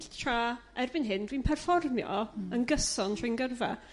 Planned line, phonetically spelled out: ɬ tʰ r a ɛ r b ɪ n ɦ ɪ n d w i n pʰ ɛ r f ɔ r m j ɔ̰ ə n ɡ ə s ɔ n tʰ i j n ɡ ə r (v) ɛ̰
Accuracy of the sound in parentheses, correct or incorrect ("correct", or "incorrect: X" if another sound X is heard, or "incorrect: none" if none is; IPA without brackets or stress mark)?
correct